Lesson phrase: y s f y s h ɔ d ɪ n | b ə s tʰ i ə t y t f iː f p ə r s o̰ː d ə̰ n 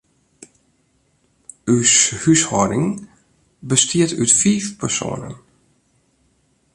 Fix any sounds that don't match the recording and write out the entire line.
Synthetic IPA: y s h y s h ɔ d ɪ ŋ | b ə s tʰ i ə t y t f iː f p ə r s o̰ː n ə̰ n